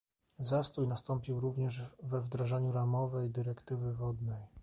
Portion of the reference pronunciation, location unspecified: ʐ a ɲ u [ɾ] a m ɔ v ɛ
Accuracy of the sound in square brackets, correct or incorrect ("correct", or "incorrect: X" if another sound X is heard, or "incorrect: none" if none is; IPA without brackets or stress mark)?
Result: correct